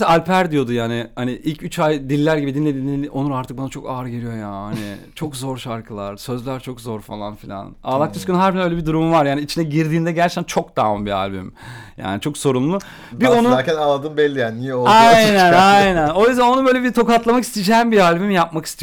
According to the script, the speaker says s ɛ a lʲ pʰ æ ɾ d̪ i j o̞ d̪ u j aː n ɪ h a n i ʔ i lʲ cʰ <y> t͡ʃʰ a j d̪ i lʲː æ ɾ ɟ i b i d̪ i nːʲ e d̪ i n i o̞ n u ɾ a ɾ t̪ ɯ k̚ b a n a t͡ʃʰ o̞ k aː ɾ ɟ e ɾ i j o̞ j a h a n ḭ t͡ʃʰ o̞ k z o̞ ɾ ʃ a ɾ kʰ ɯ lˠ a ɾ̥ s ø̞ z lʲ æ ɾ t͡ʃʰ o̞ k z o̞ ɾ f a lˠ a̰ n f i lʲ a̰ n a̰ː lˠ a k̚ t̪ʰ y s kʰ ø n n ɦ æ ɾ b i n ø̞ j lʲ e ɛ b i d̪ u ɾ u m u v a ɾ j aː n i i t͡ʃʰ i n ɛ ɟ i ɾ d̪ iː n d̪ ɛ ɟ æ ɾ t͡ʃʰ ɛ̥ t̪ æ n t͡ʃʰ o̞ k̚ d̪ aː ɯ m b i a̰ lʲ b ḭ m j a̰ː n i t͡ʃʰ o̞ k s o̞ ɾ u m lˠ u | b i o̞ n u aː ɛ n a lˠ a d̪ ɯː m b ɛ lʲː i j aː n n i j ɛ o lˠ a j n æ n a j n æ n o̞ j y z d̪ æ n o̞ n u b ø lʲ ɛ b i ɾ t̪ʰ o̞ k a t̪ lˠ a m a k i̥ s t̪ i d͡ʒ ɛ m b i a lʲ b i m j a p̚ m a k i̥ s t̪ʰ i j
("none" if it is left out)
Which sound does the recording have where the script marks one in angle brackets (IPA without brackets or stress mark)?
y